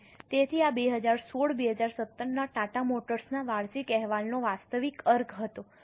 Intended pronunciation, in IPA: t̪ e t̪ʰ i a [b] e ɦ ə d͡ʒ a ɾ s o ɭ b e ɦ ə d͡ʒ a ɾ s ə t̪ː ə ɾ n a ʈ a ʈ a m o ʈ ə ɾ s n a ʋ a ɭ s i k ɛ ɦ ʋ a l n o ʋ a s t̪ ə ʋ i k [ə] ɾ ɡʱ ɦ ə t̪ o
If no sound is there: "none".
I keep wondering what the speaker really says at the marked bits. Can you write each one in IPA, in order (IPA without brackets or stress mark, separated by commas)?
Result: b, ə